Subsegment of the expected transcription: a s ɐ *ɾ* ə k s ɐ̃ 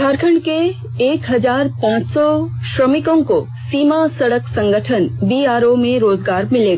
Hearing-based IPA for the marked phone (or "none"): ɽ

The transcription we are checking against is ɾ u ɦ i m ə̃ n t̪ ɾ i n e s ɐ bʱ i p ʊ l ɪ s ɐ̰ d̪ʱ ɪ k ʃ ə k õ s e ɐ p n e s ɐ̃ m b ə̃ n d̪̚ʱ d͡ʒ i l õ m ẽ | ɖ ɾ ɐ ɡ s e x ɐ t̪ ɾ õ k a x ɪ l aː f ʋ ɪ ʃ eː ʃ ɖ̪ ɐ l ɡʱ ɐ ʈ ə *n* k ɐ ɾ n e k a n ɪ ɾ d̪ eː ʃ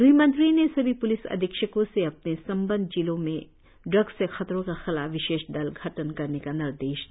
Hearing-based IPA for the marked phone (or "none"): n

